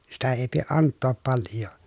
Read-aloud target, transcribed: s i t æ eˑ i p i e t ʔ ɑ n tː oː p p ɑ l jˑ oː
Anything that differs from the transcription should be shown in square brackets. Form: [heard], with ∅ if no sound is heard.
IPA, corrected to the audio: s i t æ eˑ i p i e [ʔ] ʔ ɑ n tː oː p p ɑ l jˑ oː